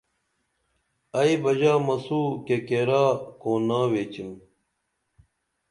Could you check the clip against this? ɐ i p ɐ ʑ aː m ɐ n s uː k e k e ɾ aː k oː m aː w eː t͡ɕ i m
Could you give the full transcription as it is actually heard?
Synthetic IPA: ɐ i b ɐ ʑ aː m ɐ s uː k e k e ɾ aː k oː n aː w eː t͡ɕ i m